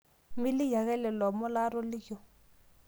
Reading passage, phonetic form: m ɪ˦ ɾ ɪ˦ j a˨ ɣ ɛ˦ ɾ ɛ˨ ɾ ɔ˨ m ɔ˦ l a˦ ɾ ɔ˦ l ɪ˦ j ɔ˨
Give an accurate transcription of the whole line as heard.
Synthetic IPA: m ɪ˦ l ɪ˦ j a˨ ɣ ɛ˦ l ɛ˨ l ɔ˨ m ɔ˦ l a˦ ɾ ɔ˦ l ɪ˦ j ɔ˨